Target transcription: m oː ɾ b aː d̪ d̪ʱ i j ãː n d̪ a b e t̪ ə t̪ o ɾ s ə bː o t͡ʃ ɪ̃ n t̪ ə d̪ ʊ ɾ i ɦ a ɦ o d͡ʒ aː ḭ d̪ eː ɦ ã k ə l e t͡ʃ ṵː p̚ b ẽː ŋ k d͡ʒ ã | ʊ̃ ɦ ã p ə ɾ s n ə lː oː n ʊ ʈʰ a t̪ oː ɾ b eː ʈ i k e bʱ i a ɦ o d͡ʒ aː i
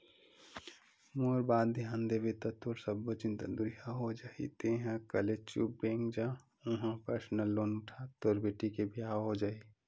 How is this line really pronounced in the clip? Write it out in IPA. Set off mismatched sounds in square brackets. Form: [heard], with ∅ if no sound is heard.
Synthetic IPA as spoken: m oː ɾ b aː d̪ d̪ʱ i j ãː n d̪ [e] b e t̪ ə t̪ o ɾ s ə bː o t͡ʃ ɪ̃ n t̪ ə d̪ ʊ ɾ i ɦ a ɦ o d͡ʒ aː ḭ [t̪] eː ɦ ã k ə l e t͡ʃ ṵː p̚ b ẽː ŋ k d͡ʒ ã | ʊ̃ ɦ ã p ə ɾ s n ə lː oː n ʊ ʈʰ a t̪ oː ɾ b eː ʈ i k e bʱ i a ɦ o d͡ʒ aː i